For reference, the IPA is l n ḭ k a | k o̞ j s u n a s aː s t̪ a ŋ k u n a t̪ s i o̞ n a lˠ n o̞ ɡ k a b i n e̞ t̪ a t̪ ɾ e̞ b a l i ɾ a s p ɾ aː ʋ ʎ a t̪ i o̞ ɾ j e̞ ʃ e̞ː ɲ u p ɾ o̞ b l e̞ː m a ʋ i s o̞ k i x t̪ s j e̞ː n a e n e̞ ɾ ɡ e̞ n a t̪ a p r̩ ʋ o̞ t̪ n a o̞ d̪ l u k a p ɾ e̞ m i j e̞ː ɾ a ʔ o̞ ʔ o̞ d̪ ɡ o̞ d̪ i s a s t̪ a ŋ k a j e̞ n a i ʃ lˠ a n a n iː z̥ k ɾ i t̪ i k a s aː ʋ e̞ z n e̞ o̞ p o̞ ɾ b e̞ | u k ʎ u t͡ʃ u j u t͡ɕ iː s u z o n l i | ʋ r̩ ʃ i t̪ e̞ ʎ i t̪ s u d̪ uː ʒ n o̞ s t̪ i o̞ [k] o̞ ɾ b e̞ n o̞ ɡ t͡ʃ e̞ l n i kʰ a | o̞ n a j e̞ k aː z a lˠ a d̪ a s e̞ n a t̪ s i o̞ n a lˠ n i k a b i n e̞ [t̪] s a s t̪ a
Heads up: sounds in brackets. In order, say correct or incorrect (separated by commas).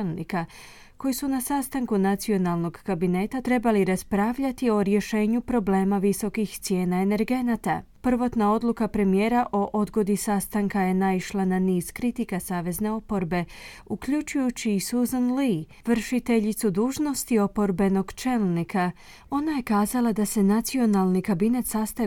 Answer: incorrect, correct